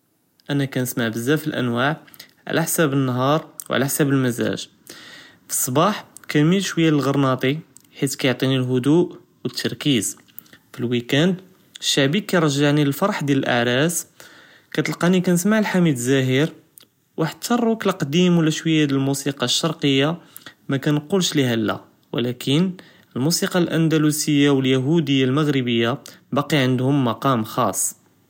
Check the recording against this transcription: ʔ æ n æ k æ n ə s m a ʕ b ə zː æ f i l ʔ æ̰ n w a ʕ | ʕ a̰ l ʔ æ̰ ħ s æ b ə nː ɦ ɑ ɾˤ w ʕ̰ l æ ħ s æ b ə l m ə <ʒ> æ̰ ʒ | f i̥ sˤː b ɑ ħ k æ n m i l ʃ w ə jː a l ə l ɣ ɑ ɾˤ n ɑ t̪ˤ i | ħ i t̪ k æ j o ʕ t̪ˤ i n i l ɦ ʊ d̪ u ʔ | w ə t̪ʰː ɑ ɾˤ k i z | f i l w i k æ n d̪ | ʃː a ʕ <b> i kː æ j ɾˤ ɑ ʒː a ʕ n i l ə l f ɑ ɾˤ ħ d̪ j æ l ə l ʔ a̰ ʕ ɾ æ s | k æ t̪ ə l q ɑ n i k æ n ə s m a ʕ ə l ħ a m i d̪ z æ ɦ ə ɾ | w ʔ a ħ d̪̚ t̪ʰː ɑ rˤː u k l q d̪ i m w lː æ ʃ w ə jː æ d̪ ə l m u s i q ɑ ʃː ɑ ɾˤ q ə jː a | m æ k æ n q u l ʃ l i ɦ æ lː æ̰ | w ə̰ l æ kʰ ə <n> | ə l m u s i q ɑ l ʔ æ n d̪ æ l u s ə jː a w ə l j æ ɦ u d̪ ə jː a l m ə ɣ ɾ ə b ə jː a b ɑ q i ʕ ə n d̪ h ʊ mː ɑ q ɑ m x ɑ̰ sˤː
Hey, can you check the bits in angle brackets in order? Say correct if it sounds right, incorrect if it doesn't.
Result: incorrect, correct, correct

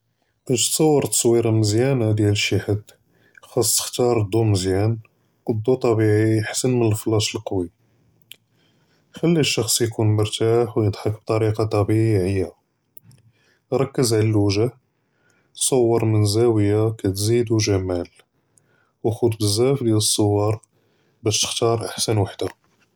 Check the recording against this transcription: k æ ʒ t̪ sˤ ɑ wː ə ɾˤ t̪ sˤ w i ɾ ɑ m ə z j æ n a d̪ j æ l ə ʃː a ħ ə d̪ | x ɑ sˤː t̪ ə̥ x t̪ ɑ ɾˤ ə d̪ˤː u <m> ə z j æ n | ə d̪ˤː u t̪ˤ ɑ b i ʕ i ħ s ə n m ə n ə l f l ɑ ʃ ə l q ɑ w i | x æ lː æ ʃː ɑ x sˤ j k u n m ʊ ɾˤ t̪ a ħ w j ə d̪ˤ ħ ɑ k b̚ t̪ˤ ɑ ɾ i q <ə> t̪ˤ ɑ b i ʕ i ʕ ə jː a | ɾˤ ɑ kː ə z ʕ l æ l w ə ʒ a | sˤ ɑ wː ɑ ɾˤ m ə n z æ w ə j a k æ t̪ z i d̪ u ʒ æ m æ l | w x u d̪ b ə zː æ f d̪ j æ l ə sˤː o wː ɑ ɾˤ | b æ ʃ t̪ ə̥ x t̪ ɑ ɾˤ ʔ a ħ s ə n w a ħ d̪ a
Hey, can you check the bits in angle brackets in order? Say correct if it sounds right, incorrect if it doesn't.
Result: correct, incorrect

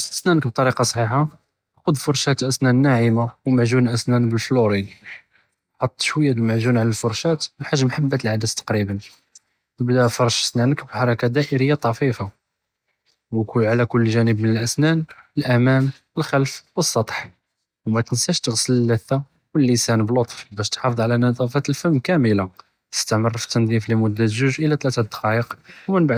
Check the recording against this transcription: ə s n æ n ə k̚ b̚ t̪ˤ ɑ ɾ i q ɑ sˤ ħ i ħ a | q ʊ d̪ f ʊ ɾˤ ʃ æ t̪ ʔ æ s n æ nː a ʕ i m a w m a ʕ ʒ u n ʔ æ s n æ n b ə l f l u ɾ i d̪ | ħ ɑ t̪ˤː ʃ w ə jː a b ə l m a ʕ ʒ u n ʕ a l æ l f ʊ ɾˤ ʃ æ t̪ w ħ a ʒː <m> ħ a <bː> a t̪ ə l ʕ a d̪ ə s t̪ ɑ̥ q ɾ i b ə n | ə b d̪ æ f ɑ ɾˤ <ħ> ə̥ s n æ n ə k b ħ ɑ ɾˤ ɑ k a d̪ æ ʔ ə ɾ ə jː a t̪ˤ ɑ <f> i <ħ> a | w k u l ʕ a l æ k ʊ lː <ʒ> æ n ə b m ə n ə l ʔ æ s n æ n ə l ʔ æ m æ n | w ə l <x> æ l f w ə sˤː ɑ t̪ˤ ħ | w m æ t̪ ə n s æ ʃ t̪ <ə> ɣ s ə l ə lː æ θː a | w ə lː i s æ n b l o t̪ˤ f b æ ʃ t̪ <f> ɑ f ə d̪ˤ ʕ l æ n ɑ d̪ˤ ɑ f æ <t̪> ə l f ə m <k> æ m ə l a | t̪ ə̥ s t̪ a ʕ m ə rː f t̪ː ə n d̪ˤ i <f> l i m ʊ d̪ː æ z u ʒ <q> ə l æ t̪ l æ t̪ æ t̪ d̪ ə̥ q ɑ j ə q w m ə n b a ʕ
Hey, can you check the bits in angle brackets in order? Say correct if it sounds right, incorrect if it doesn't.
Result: correct, correct, incorrect, correct, incorrect, correct, correct, correct, incorrect, correct, correct, correct, incorrect

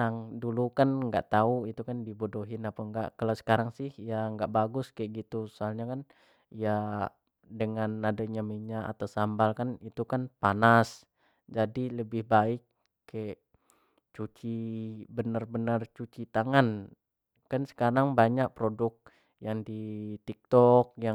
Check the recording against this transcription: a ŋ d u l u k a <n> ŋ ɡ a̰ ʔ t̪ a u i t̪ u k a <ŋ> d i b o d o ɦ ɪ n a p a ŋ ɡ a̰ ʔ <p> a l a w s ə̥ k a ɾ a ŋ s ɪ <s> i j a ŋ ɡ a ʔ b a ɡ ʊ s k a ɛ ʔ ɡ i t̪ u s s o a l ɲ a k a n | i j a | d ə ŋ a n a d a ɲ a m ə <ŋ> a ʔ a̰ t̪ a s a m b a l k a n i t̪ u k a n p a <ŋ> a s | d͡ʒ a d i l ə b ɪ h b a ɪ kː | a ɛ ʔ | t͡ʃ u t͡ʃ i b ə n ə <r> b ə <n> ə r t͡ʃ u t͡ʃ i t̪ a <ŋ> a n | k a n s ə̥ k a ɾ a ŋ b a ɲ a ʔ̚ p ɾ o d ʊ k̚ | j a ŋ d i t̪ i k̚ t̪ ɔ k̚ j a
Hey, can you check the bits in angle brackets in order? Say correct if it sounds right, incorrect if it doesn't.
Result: correct, incorrect, incorrect, incorrect, incorrect, incorrect, correct, correct, correct

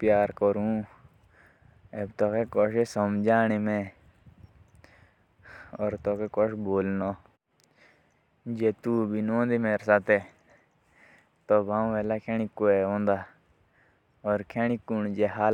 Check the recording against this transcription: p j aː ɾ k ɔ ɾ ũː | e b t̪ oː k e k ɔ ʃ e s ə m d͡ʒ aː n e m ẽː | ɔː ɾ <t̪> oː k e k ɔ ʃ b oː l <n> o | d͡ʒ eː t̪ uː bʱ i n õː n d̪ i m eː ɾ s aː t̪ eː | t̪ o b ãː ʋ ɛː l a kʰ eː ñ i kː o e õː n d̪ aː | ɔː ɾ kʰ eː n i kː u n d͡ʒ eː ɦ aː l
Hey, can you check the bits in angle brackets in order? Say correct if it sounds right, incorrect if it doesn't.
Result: correct, correct

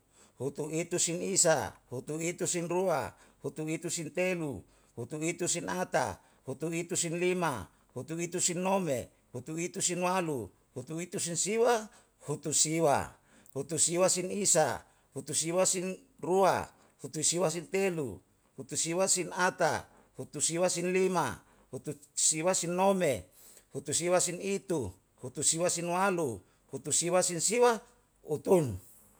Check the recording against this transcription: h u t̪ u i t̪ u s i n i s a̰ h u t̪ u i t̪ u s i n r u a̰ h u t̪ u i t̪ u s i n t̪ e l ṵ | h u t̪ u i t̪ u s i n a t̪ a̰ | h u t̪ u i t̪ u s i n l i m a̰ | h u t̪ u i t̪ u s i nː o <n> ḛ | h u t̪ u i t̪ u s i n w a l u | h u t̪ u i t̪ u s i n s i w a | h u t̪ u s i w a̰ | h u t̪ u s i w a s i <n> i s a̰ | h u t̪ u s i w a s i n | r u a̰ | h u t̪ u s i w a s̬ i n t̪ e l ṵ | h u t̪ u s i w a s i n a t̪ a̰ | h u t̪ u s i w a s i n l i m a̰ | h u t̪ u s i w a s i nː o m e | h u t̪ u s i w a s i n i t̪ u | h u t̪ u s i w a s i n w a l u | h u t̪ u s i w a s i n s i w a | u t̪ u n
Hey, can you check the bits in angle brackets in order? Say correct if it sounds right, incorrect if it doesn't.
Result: incorrect, correct

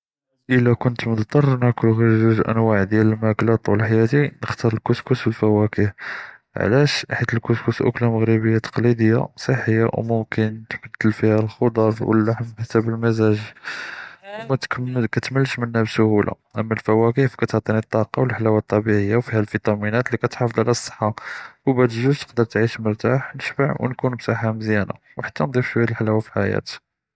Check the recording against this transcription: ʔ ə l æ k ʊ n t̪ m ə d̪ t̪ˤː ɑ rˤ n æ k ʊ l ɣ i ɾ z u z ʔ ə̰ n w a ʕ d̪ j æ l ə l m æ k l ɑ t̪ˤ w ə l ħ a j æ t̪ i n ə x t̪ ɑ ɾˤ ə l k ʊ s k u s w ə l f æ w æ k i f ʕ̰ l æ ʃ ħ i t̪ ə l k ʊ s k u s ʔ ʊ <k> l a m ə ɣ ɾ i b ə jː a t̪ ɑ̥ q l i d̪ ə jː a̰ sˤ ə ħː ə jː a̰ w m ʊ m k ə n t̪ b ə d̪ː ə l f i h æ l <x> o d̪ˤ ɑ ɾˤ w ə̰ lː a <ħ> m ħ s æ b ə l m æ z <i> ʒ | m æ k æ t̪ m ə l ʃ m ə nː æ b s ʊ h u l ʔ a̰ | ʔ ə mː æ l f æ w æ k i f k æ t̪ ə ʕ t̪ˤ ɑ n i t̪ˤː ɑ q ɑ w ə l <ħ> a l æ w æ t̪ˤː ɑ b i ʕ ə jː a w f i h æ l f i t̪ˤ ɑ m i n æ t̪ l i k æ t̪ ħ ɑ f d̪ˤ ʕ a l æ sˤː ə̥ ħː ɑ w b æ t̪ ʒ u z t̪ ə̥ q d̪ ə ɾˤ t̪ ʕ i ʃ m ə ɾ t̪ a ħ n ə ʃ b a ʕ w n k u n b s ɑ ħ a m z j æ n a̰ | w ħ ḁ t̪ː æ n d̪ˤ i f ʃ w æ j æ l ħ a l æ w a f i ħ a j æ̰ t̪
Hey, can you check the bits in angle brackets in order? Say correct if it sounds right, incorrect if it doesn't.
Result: correct, correct, correct, incorrect, correct

